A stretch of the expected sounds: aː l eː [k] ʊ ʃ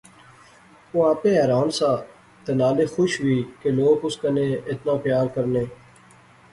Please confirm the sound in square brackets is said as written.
no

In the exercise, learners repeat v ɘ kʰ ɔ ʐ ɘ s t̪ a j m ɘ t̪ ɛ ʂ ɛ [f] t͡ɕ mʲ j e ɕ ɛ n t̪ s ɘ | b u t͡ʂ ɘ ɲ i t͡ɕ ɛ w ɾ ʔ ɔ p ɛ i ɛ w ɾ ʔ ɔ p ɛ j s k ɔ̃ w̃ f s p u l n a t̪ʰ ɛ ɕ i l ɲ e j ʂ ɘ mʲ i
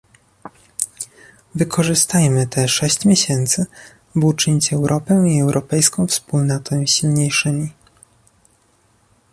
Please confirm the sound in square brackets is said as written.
no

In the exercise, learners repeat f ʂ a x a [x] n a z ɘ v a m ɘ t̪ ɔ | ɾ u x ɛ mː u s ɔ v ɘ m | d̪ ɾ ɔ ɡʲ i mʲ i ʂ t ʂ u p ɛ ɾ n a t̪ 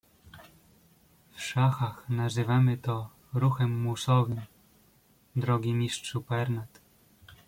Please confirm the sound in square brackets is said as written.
yes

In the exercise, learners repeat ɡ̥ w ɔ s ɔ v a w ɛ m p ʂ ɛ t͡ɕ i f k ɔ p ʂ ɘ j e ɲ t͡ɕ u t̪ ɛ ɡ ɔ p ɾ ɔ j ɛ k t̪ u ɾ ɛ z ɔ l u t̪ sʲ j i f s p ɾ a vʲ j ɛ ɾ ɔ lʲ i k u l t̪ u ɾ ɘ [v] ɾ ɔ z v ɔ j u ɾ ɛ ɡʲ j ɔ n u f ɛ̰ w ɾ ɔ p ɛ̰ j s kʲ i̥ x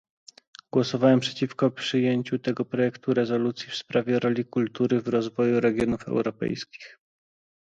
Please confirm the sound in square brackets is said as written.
yes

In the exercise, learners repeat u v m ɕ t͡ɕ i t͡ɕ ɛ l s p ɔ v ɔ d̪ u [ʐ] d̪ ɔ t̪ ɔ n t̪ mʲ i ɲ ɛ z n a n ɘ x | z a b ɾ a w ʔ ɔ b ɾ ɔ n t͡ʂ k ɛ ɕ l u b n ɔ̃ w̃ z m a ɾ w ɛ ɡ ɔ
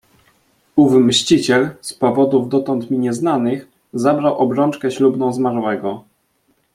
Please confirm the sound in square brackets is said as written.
no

